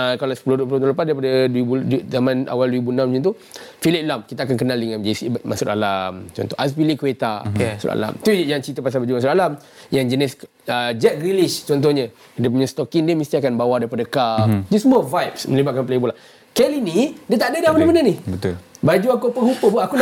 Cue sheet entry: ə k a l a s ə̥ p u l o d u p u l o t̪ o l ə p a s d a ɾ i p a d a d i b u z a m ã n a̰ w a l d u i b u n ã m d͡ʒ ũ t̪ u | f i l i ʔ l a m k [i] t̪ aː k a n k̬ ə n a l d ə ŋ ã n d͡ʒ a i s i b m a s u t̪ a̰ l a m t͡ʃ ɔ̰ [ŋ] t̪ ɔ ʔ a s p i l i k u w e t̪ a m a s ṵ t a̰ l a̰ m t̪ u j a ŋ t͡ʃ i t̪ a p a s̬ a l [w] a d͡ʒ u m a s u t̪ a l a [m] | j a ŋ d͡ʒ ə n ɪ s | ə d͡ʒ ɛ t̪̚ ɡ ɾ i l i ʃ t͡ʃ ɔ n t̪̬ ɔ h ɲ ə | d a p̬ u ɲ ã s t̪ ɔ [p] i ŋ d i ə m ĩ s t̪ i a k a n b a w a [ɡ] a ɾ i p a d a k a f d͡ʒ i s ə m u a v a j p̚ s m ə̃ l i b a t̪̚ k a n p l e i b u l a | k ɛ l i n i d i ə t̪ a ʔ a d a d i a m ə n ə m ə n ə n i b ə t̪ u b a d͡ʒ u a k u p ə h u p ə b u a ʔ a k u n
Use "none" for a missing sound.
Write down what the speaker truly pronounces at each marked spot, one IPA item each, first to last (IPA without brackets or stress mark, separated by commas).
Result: i, n, b, m, k, d